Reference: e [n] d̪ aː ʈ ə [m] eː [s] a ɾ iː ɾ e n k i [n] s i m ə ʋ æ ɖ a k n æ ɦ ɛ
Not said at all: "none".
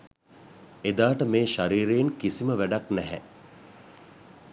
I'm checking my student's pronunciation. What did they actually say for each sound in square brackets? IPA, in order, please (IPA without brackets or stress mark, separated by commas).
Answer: none, m, ʃ, none